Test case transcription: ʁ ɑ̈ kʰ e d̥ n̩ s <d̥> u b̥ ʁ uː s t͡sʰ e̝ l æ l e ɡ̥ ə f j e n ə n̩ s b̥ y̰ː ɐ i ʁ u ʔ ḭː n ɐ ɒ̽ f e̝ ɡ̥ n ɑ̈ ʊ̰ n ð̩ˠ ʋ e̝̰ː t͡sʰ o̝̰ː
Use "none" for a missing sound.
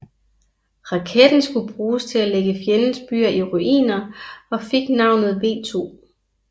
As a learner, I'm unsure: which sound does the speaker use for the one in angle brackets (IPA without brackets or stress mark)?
ɡ̥